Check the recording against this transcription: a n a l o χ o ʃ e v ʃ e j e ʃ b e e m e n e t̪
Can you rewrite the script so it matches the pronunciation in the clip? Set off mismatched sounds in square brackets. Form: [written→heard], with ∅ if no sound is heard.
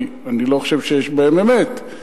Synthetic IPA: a n [a→i] l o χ o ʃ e v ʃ e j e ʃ b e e m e [n→m] e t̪